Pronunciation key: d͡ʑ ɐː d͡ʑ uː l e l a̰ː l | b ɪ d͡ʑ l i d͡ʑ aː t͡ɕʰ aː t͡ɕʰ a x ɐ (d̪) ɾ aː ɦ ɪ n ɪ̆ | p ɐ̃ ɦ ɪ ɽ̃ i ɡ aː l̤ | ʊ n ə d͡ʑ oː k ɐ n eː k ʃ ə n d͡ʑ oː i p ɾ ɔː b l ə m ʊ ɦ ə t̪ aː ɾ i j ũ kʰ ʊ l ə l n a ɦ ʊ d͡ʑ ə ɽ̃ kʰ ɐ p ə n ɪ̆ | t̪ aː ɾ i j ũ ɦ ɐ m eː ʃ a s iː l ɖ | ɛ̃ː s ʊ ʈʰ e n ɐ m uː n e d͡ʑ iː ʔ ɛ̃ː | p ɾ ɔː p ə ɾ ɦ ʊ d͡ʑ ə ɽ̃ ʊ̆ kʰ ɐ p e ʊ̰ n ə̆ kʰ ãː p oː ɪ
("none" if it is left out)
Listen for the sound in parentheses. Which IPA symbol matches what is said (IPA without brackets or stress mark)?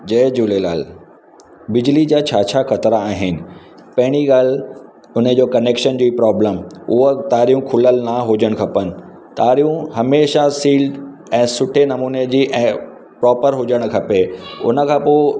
t̪